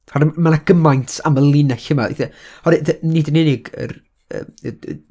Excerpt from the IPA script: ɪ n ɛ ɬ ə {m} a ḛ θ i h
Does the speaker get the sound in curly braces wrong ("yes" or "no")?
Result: no